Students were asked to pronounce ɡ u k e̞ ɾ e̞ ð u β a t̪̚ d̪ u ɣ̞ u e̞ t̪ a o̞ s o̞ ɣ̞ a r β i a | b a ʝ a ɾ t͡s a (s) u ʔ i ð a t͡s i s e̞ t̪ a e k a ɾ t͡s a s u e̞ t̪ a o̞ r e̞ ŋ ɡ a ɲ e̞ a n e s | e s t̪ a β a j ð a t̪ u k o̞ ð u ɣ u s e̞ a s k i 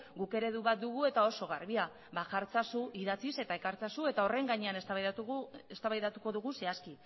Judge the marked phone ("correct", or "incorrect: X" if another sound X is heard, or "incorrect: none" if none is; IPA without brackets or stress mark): correct